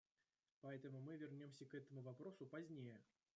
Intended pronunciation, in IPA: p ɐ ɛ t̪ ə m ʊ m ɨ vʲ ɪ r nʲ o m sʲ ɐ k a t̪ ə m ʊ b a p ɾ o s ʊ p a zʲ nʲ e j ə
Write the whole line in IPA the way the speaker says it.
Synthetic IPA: p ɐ ɛ t̪ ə m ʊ m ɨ vʲ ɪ r nʲ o m sʲ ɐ k ɛ t̪ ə m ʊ v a p ɾ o s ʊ p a zʲ nʲ e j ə